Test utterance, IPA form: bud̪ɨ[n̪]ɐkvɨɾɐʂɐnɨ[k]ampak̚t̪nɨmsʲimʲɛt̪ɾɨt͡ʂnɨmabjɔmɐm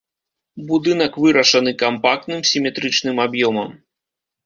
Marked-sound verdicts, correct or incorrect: correct, correct

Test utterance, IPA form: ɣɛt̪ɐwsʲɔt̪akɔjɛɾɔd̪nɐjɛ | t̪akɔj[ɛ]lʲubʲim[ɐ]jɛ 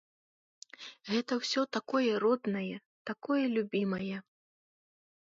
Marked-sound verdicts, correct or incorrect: correct, correct

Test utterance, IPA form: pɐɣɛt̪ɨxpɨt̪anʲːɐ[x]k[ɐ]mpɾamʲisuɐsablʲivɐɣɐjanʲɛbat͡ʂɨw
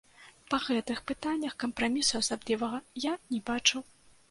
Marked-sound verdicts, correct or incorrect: correct, correct

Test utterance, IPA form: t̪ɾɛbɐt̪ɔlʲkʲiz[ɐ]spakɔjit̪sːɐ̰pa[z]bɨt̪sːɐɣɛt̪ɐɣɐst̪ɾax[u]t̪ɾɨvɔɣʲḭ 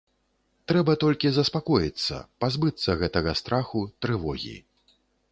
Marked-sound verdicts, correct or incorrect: correct, correct, correct

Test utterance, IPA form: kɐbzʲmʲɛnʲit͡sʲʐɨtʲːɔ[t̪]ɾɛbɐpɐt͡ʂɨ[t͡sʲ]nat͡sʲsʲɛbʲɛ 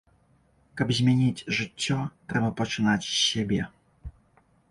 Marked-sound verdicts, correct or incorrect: correct, incorrect: none

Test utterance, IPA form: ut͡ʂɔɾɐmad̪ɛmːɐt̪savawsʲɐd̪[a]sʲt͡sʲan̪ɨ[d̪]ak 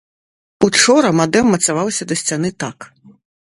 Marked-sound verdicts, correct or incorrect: incorrect: ɐ, incorrect: t̪

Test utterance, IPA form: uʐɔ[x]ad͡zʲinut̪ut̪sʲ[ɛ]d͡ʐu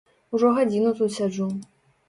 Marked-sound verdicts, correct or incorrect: incorrect: ɣ, incorrect: a

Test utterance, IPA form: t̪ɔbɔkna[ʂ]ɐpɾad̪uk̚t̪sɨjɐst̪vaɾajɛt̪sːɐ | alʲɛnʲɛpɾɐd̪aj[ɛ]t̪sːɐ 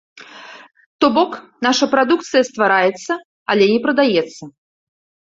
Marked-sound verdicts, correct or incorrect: correct, correct

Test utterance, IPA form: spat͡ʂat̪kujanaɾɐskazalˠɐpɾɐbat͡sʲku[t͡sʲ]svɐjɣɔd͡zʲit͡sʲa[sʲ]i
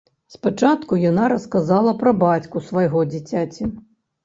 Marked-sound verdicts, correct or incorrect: incorrect: none, incorrect: t͡sʲ

